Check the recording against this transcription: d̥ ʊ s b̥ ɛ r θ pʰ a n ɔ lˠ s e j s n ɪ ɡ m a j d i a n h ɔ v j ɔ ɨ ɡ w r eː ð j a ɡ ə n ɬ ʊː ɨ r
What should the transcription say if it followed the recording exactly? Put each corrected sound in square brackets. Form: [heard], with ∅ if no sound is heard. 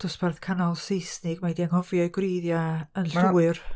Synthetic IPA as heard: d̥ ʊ s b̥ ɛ r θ [kʰ] a n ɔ lˠ s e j s n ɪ ɡ m a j d i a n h ɔ v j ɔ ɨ ɡ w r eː ð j a [∅] ə n ɬ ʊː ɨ r